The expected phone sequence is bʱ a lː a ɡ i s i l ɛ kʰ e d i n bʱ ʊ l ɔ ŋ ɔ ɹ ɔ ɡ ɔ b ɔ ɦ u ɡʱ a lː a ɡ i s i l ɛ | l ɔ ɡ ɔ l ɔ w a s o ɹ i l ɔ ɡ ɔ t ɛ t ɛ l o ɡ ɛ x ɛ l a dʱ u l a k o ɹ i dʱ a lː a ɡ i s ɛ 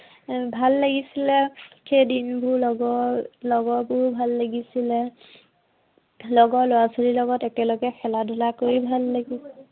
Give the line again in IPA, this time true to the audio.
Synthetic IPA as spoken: bʱ a lː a ɡ i s i l ɛ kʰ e d i n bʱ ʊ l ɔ ɡ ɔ l ɔ ɡ ɔ b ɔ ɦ u bʱ a lː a ɡ i s i l ɛ | l ɔ ɡ ɔ l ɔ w a s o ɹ i l ɔ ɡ ɔ t ɛ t ɛ l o ɡ ɛ x ɛ l a dʱ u l a k o ɹ i bʱ a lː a ɡ i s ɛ